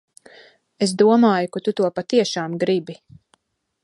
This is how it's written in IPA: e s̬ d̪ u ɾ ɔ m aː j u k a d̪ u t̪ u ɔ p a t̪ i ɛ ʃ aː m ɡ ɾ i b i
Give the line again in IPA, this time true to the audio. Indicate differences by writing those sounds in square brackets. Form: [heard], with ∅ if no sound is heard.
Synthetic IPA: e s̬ d̪ u [∅] ɔ m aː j u k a [t̪] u t̪ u ɔ p a t̪ i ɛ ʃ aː m ɡ ɾ i b i